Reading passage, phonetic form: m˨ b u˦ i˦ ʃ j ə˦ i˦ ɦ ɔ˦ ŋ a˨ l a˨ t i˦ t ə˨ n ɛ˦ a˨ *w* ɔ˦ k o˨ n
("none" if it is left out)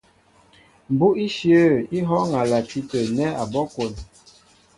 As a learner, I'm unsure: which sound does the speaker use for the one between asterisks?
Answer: b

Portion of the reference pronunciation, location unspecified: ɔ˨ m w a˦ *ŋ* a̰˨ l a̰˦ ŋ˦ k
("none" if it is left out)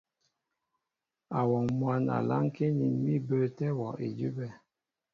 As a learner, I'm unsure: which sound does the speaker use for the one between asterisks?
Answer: n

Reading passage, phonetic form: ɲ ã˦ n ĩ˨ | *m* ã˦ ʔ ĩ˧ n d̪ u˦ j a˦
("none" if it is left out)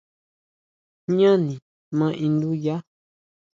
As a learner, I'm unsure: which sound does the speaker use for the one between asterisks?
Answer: m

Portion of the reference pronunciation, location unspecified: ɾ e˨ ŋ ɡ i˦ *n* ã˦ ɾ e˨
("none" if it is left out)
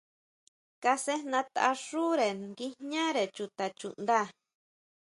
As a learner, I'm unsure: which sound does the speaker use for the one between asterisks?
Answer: ɲ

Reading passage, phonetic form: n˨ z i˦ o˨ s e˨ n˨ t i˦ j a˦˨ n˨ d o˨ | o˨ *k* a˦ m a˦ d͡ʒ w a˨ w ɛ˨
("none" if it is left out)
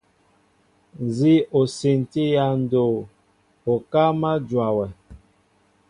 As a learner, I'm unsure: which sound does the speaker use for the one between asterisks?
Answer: k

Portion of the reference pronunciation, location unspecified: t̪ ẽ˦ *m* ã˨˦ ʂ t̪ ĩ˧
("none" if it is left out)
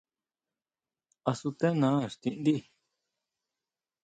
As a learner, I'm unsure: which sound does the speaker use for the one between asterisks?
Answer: n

